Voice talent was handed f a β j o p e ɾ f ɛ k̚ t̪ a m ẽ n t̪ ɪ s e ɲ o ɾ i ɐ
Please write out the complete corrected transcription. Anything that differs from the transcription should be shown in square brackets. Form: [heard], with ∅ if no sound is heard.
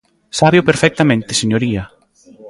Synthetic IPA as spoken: [s] a β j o p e ɾ f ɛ k̚ t̪ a m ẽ n t̪ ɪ s e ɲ o ɾ i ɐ